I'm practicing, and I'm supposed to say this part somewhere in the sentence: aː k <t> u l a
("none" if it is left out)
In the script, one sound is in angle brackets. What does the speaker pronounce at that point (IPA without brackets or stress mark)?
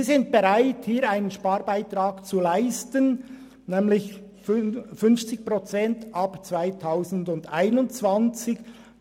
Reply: t͡s